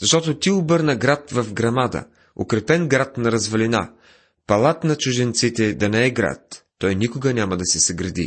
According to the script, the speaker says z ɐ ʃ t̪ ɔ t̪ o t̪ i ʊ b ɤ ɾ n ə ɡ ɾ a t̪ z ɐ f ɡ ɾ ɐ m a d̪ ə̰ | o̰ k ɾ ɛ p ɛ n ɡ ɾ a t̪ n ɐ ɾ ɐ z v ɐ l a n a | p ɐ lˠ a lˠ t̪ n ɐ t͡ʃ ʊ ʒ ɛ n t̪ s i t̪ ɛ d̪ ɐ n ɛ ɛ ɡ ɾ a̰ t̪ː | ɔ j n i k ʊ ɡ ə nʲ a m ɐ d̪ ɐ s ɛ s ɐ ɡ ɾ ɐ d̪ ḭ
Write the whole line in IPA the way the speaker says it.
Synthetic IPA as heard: z ɐ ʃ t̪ ɔ t̪ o t̪ i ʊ b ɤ ɾ n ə ɡ ɾ a t̪ v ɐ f ɡ ɾ ɐ m a d̪ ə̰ | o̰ k ɾ ɛ p ɛ n ɡ ɾ a t̪ n ɐ ɾ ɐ z v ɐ l i n a | p ɐ lˠ a t̪ n ɐ t͡ʃ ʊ ʒ ɛ n t̪ s i t̪ ɛ d̪ ɐ n ɛ ɛ ɡ ɾ a̰ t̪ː | ɔ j n i k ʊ ɡ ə nʲ a m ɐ d̪ ɐ s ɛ s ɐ ɡ ɾ ɐ d̪ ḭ